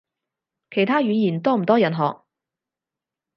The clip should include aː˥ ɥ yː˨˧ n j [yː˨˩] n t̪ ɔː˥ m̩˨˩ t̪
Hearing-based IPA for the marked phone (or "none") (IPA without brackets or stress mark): iː˨˩